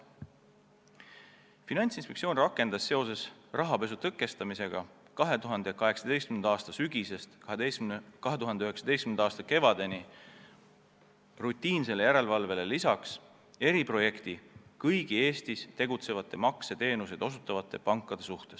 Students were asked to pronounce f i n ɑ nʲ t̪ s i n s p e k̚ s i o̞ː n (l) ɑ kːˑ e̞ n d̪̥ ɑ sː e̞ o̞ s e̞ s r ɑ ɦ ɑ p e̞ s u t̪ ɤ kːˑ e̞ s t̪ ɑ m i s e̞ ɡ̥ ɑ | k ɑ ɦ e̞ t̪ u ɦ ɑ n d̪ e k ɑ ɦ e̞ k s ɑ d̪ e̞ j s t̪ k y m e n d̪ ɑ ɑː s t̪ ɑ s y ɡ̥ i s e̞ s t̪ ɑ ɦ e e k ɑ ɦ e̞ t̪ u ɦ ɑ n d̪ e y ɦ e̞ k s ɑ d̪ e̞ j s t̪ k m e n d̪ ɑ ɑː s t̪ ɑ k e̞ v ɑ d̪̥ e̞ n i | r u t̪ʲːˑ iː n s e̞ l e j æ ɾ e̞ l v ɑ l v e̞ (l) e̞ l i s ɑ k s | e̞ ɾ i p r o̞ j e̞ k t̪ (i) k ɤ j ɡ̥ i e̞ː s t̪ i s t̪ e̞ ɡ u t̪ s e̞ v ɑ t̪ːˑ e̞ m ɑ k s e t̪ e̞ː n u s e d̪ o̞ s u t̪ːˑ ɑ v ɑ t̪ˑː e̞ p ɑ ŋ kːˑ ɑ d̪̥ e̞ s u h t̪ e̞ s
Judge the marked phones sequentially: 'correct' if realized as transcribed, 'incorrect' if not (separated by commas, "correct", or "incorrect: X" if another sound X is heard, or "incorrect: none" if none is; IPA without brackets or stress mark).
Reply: incorrect: r, correct, correct